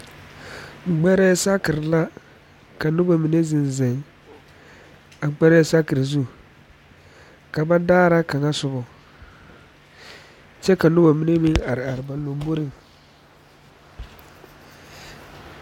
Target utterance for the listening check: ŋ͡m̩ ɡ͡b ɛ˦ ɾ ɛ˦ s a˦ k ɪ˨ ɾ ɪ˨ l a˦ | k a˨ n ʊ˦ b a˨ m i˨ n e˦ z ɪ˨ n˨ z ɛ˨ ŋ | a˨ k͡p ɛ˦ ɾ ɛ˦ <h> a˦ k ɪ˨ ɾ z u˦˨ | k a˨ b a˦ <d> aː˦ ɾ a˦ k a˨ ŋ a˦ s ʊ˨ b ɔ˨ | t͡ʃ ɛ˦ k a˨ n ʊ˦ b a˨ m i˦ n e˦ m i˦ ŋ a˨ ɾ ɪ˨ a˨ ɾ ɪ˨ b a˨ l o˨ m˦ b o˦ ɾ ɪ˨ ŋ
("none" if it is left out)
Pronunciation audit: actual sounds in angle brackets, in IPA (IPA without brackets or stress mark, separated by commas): s, d